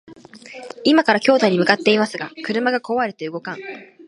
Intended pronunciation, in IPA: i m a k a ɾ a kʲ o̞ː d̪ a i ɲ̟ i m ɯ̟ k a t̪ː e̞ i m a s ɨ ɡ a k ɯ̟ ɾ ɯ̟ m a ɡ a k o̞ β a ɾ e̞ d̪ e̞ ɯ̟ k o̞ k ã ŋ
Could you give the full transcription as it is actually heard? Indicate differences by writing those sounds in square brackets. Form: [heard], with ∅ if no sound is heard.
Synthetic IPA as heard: i m a k a ɾ a kʲ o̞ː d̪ a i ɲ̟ i m ɯ̟ k a t̪ː e̞ i m a s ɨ ɡ a k ɯ̟ ɾ ɯ̟ m a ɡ a k o̞ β a ɾ e̞ [t̪] e̞ ɯ̟ [ɡ] o̞ k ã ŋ